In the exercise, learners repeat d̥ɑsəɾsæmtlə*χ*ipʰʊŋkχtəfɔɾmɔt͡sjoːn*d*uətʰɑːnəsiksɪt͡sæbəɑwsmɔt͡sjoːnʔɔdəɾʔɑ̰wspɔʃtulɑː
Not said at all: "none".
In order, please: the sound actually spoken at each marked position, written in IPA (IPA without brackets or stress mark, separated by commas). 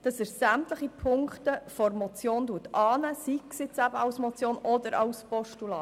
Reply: χ, d